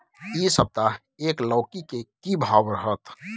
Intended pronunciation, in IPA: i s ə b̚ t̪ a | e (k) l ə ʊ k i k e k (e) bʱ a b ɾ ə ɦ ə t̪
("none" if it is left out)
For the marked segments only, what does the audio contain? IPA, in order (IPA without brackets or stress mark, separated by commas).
k, i